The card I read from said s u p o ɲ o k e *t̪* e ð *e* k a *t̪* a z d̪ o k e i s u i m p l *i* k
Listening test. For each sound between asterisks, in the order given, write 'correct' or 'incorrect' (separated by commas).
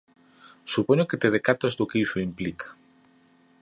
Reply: correct, correct, correct, correct